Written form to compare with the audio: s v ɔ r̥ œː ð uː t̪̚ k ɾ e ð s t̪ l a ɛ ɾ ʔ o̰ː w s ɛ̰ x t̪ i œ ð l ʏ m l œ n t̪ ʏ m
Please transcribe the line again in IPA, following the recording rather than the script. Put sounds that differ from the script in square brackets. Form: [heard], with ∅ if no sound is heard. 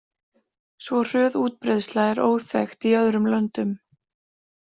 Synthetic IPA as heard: s v ɔ r̥ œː ð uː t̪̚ [p] ɾ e ð s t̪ l a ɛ ɾ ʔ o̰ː w [θ] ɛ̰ x t̪ i œ ð [ɾ] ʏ m l œ n t̪ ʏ m